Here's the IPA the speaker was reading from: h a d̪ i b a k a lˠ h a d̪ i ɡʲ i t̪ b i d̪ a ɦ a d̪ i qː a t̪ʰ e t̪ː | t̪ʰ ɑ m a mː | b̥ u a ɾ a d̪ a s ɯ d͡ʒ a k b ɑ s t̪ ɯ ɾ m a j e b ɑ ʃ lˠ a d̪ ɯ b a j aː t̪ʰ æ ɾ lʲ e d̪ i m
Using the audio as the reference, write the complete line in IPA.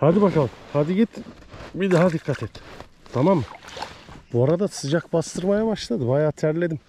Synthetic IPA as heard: h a d̪ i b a k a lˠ h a d̪ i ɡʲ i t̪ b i d̪ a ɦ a d̪ i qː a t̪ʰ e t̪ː | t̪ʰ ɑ m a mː | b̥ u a ɾ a d̪ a s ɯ d͡ʒ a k b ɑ s t̪ ɯ ɾ m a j a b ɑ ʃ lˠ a d̪ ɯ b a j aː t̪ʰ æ ɾ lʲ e d̪ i m